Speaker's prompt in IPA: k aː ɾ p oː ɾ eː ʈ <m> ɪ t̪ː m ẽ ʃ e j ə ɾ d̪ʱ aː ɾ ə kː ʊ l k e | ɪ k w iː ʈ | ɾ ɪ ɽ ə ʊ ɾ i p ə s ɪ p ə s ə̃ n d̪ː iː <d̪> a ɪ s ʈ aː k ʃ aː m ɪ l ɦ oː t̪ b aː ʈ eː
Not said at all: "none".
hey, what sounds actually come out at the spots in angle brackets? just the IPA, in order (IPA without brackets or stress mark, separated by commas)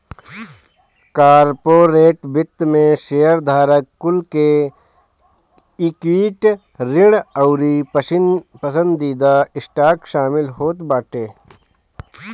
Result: b, d̪